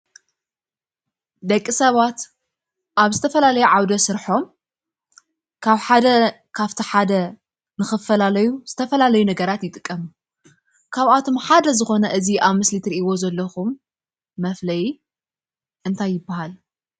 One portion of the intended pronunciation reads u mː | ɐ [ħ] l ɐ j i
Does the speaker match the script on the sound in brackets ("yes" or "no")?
no